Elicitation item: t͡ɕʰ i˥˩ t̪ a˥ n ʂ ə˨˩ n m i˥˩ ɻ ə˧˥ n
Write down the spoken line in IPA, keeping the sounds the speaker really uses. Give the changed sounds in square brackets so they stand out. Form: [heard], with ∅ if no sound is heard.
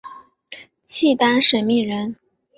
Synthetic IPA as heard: t͡ɕʰ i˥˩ t̪ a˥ n ʂ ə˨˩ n m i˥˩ ɻ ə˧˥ n